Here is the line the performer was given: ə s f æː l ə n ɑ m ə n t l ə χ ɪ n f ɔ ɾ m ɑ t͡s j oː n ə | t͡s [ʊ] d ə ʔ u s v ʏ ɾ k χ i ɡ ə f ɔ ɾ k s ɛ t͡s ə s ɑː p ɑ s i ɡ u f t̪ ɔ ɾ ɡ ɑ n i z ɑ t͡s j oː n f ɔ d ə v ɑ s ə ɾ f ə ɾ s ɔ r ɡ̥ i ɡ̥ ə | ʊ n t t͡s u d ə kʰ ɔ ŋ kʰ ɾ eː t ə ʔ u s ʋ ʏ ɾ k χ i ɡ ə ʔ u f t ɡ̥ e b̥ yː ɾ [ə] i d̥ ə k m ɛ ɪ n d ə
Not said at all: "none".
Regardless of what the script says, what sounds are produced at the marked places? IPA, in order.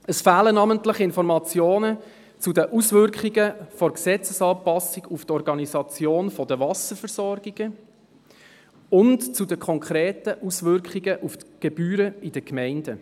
u, ə

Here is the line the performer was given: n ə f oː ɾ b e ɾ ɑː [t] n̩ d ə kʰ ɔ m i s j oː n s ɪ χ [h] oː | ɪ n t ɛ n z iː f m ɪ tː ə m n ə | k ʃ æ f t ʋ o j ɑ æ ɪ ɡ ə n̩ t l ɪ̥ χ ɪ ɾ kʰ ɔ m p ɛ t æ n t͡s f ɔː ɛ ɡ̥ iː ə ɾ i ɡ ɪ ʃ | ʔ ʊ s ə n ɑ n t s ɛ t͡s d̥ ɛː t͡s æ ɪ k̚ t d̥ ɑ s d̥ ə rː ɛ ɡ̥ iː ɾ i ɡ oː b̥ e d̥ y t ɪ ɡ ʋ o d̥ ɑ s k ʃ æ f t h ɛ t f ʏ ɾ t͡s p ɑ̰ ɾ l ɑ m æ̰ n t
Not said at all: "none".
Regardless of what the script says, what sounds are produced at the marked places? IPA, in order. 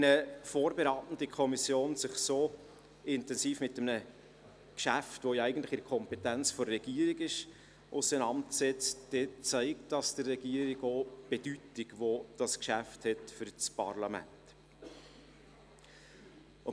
t, s

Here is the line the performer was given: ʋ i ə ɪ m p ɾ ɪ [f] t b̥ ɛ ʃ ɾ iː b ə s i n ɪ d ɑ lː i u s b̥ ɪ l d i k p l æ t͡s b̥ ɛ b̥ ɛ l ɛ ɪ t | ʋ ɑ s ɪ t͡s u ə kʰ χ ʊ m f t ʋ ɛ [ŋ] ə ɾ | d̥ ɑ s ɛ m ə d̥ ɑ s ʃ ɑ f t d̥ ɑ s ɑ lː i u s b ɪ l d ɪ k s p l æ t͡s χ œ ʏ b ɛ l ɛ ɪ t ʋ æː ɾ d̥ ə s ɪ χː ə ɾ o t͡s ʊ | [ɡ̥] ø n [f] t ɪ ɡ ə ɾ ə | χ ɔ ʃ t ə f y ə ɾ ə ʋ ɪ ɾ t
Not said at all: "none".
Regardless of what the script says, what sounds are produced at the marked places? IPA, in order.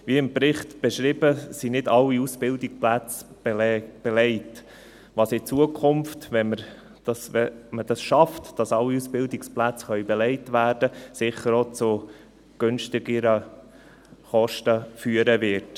χ, m, ɡ̥, ʃ

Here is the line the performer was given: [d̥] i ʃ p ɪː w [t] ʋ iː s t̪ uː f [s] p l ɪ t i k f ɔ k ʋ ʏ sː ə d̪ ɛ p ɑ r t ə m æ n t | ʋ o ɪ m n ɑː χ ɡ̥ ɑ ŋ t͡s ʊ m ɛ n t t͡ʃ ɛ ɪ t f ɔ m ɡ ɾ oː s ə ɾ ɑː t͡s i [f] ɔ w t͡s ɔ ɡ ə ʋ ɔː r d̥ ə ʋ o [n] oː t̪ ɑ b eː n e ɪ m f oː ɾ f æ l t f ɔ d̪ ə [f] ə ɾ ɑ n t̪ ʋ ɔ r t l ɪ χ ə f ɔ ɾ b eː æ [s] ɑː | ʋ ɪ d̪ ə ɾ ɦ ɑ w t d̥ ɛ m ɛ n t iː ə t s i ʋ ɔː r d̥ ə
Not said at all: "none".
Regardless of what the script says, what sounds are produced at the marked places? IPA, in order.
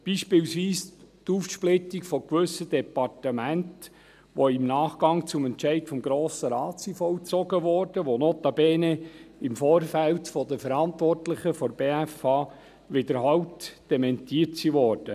b̥, s, ʃ, f, n, f, f

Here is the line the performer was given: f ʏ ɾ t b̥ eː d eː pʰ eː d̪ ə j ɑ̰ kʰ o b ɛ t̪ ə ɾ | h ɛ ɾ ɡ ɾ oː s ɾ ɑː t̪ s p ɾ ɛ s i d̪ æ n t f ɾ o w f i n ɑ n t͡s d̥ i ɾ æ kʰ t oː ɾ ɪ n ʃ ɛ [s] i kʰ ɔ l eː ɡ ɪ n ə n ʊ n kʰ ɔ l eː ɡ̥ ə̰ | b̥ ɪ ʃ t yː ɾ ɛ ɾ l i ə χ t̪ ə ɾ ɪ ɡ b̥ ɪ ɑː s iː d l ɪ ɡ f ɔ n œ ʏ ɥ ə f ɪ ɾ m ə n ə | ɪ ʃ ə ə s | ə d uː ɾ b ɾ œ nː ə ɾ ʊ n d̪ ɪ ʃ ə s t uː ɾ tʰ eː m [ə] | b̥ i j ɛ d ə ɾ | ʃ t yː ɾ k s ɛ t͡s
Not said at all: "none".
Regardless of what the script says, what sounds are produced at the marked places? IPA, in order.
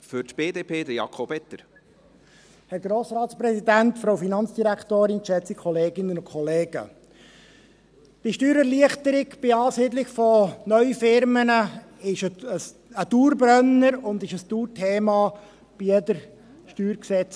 t͡s, ɑ

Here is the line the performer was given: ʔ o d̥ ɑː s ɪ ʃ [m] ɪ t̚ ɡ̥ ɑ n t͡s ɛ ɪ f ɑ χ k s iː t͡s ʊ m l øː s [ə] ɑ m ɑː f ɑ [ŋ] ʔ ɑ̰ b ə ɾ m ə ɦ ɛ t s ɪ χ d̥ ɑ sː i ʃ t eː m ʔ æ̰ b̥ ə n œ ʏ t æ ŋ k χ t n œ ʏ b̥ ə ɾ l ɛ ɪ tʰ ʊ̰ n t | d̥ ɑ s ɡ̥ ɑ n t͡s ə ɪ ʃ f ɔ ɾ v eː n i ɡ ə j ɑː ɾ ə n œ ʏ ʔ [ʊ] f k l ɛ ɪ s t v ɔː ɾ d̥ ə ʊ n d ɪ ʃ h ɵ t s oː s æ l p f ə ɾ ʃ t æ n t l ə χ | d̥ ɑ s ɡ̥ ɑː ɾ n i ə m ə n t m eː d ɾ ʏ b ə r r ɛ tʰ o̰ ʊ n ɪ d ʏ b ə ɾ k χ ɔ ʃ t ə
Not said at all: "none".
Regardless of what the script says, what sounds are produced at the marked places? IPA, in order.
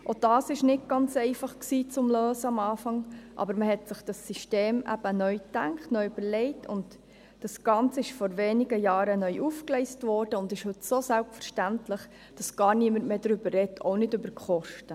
n, ə, ŋ, u

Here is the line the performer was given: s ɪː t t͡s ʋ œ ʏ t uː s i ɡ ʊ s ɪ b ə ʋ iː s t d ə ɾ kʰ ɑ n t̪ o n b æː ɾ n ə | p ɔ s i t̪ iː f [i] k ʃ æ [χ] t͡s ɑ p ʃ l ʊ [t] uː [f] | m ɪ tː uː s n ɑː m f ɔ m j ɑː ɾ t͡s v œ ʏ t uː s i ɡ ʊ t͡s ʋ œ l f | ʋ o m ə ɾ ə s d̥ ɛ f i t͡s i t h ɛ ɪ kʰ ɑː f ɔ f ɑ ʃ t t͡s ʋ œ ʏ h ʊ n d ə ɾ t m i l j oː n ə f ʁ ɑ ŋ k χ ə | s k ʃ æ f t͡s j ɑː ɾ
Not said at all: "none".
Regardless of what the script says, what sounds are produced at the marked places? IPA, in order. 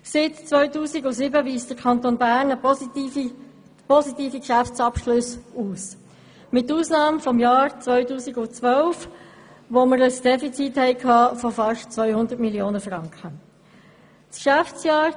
i, f, s, s

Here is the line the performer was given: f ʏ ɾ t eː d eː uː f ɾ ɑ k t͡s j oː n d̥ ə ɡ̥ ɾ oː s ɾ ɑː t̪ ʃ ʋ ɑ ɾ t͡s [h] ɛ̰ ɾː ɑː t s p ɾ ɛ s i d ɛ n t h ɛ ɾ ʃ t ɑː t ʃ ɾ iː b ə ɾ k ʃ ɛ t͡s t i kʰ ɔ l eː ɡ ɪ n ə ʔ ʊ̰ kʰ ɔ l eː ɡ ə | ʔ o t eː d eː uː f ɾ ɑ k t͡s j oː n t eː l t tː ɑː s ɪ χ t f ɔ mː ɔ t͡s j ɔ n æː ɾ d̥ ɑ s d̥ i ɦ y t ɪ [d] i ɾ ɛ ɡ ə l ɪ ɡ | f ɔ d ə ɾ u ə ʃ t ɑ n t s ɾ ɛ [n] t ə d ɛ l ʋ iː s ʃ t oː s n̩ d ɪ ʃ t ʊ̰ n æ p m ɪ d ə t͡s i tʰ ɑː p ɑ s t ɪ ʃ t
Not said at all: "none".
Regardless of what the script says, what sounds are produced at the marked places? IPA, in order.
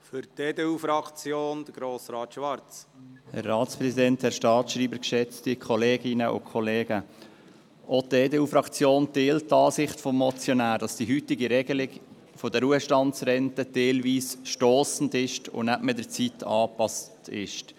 h, ɡ, n

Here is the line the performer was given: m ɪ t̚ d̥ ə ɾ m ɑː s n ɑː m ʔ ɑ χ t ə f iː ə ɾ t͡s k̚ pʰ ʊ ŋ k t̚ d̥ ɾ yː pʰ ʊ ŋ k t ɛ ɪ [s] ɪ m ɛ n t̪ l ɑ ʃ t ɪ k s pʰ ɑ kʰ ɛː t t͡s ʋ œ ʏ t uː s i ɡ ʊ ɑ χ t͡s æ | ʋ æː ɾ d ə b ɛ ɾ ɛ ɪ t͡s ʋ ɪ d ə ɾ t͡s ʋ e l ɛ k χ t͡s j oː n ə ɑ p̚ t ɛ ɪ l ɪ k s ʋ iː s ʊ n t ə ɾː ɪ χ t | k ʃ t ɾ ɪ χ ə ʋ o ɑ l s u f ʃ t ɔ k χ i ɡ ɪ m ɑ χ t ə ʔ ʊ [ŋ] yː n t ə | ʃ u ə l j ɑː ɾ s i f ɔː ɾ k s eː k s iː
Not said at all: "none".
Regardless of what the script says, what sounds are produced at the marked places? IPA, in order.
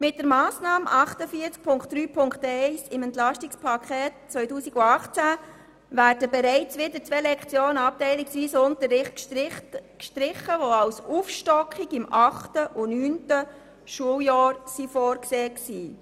s, n

